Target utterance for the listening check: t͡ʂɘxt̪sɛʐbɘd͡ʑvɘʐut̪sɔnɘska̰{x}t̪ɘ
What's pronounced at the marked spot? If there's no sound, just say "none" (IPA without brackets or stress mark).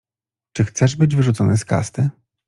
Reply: s